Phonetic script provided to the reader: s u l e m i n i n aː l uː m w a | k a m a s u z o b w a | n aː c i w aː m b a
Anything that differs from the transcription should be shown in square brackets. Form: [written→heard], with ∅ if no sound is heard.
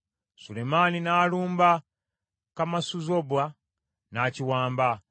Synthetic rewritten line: s u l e m [i→a] n i n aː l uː m [w→b] a | k a m a s u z o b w a | n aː c i w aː m b a